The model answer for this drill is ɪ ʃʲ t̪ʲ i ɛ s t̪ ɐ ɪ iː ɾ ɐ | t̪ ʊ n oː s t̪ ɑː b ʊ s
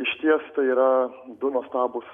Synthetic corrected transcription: ɪ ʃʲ t̪ʲ i ɛ s t̪ ɐ ɪ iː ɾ ɐ | d̪ ʊ n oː s t̪ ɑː b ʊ s